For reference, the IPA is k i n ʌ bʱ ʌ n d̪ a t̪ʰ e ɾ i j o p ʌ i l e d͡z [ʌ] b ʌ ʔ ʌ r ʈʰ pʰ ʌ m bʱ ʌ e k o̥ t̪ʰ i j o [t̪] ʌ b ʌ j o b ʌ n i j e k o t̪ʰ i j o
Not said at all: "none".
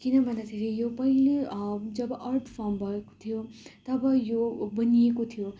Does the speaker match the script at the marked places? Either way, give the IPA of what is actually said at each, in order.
ʌ, t̪

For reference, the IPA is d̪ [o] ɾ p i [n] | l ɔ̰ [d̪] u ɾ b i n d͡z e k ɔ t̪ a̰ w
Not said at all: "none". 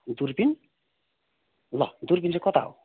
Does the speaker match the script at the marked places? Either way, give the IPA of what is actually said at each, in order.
u, n, d̪

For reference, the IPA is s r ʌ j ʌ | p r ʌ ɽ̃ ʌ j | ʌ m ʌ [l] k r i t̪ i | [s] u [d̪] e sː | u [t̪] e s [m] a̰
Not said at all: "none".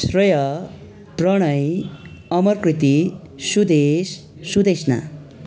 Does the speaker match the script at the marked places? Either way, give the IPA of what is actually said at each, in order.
r, s, d̪, d̪, n

